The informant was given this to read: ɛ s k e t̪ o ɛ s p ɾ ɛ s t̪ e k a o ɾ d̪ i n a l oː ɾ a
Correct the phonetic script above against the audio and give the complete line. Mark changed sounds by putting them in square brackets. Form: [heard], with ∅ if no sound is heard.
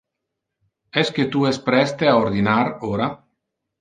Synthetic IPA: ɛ s k e t̪ [u] ɛ s p ɾ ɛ s t̪ e [∅] a o ɾ d̪ i n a [ɾ] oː ɾ a